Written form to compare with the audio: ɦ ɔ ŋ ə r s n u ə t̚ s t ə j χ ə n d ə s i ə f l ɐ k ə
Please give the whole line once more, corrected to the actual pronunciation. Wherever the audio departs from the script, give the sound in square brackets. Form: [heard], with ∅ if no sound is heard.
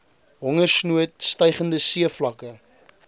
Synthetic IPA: ɦ ɔ ŋ ə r s n u ə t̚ s t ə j χ ə n d ə s i ə f l ɐ k ə